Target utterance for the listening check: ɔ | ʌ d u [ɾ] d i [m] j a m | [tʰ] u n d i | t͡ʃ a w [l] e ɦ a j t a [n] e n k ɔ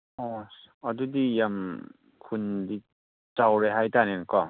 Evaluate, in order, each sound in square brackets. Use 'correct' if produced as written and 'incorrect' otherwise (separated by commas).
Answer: incorrect, incorrect, incorrect, incorrect, correct